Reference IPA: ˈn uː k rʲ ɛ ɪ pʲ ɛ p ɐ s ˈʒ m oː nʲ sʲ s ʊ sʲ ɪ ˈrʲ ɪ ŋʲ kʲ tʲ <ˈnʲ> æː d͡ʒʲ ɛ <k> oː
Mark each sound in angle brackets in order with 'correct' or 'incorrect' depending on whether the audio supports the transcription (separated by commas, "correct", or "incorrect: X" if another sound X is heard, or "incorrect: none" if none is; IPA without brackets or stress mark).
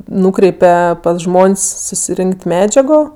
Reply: incorrect: mʲ, incorrect: ɡ